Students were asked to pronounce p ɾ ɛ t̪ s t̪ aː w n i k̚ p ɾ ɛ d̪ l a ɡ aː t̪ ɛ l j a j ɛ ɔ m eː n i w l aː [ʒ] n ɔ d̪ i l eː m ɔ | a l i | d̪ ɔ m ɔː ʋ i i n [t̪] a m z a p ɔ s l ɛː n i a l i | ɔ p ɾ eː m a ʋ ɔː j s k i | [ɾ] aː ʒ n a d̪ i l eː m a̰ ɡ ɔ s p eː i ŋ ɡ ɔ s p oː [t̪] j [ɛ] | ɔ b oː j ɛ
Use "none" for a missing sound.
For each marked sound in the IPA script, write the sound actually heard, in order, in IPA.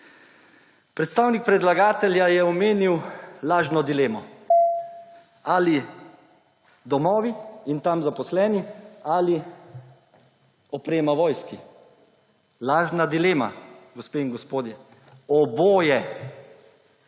ʒ, t̪, l, d̪, ɛ

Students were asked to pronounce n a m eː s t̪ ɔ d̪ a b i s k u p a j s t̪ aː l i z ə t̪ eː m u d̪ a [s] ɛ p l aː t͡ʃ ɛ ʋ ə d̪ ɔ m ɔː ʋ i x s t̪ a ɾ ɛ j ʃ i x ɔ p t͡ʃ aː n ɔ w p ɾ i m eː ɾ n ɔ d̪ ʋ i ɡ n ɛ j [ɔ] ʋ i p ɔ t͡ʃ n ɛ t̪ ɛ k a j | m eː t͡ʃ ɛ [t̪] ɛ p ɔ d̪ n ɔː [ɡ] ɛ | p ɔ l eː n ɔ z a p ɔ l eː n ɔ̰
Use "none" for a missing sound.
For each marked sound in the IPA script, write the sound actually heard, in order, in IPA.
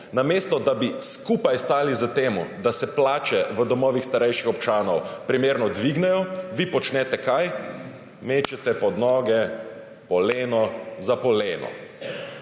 s, ɔ, t̪, ɡ

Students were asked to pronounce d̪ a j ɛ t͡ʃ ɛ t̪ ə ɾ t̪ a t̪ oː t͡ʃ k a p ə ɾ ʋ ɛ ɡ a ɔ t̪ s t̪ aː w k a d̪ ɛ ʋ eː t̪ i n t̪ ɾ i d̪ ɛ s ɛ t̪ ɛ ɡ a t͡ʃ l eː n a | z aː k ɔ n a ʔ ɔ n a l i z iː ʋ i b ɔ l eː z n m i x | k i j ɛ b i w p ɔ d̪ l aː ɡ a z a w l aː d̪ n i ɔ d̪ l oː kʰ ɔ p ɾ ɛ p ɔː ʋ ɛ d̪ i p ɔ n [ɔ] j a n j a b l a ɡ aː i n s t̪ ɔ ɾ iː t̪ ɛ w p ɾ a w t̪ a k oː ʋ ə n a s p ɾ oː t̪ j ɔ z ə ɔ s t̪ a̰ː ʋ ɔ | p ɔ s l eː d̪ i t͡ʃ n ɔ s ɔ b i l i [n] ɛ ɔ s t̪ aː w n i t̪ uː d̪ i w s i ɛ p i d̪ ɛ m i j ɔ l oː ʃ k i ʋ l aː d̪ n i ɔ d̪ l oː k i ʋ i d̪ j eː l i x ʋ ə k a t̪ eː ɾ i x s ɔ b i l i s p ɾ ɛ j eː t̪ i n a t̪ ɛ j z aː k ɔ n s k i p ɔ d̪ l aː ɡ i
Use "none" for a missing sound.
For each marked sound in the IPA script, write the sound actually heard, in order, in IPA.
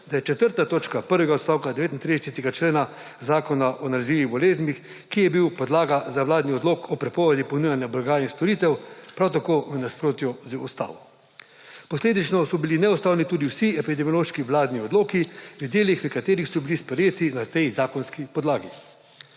u, n

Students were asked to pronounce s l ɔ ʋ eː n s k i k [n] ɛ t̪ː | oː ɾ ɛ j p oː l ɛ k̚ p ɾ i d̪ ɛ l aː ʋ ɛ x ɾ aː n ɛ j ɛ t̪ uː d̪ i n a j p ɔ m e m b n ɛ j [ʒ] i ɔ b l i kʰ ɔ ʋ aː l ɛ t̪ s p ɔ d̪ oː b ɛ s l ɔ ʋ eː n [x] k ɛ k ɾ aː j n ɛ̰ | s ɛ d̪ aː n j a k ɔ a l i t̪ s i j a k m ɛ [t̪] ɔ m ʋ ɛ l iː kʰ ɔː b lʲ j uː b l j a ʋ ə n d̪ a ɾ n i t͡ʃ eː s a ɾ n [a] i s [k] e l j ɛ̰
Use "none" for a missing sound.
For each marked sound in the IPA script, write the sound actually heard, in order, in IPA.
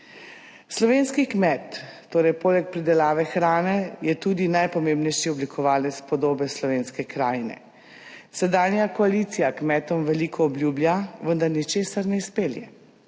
m, ʃ, s, t̪, ɛ, p

